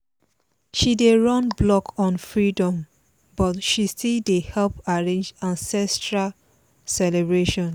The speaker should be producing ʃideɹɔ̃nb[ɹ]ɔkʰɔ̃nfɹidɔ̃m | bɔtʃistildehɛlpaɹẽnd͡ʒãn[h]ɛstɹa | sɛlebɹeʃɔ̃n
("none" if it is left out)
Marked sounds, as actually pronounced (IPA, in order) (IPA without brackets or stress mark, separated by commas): l, s